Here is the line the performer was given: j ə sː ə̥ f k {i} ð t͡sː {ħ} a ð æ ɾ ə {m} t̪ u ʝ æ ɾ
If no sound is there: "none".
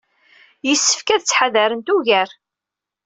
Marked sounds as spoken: æ, ħ, n

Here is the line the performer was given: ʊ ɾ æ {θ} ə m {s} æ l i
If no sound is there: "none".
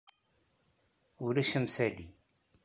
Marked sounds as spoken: ʃ, s

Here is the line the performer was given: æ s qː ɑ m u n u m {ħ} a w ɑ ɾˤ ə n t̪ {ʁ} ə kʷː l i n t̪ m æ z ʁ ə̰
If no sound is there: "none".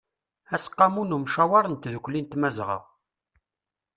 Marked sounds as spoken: ʃ, ð

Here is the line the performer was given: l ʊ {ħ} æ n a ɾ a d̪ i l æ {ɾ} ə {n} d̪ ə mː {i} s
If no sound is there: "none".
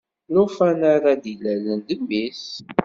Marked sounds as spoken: f, l, n, i

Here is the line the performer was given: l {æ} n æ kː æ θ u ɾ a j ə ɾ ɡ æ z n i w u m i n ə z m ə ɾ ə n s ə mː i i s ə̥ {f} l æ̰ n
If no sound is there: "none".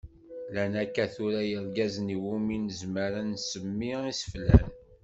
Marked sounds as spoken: æ, f

